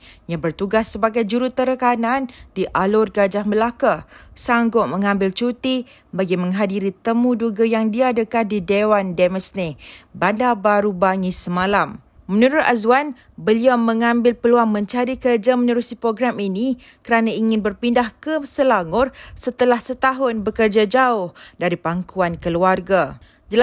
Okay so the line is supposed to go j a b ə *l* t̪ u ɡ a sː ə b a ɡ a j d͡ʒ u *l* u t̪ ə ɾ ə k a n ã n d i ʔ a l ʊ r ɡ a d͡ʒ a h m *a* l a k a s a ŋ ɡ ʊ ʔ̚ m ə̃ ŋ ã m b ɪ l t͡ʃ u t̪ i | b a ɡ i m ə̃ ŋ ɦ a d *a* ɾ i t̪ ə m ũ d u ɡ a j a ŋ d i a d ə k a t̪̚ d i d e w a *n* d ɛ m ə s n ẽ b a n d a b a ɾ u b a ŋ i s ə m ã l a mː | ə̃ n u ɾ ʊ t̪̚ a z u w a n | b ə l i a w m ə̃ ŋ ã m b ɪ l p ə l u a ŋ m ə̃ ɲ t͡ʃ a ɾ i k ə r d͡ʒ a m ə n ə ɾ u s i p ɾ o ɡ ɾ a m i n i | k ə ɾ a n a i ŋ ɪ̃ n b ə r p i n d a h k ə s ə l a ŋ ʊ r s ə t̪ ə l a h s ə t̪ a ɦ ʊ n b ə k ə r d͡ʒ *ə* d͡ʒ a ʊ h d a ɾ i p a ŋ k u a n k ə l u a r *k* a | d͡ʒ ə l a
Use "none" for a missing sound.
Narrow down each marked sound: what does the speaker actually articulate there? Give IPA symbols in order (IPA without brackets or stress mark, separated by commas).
r, ɾ, ə, i, n, a, ɡ